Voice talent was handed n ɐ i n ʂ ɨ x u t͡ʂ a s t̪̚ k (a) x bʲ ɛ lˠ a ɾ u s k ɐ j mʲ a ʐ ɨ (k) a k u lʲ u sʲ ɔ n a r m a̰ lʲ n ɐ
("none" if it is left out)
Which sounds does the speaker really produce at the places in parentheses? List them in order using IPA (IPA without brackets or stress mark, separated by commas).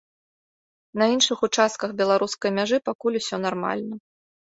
ɐ, p